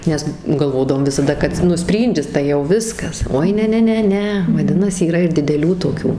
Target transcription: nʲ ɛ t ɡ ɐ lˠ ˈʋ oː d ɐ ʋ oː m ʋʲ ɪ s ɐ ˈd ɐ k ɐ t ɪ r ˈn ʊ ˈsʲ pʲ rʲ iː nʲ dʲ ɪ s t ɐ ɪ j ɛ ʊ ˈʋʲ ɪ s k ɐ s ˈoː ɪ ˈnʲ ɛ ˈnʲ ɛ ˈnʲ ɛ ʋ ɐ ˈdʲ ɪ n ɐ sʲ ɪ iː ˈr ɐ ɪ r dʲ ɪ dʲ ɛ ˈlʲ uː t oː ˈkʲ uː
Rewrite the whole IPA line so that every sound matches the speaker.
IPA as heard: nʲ ɛ s ɡ ɐ lˠ ˈʋ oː d ɐ ʋ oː m ʋʲ ɪ s ɐ ˈd ɐ k ɐ t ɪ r ˈn ʊ ˈsʲ pʲ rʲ iː nʲ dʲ ɪ s t ɐ ɪ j ɛ ʊ ˈʋʲ ɪ s k ɐ s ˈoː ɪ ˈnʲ ɛ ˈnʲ ɛ ˈnʲ ɛ ʋ ɐ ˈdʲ ɪ n ɐ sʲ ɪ iː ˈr ɐ ɪ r dʲ ɪ dʲ ɛ ˈlʲ uː t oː ˈkʲ uː